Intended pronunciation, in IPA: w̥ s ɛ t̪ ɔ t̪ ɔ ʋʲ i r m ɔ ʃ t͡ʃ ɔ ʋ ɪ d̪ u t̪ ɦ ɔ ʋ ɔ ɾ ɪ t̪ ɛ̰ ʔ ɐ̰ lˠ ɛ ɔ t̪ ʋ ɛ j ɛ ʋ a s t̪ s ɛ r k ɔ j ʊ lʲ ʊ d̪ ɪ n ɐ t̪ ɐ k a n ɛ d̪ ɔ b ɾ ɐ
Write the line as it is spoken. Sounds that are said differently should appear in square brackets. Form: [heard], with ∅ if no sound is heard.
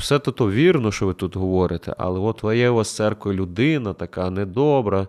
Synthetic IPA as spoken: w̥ s ɛ t̪ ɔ t̪ ɔ ʋʲ i r [n] ɔ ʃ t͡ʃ ɔ ʋ ɪ [t̪] u t̪ ɦ ɔ ʋ ɔ ɾ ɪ t̪ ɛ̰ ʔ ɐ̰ lˠ ɛ ɔ t̪ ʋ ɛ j ɛ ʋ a s t̪ s ɛ r k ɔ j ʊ lʲ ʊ d̪ ɪ n ɐ t̪ ɐ k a n ɛ d̪ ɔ b ɾ ɐ